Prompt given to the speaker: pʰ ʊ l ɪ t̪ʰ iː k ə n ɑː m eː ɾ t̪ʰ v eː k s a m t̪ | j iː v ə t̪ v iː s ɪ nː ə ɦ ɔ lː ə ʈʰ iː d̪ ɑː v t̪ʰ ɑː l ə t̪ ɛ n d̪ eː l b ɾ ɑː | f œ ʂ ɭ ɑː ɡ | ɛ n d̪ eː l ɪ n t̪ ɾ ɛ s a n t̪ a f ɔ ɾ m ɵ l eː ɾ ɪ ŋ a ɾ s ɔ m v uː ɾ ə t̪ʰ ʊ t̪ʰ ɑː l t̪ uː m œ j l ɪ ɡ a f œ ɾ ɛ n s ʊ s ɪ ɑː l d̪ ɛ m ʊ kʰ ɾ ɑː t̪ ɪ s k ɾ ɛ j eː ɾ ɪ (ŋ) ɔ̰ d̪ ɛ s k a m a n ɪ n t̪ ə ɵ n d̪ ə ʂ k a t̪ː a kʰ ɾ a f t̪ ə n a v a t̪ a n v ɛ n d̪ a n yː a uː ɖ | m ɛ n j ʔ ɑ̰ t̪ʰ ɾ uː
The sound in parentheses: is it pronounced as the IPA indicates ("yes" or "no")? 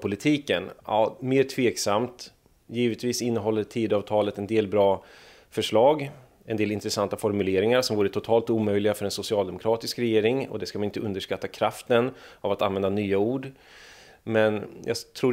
yes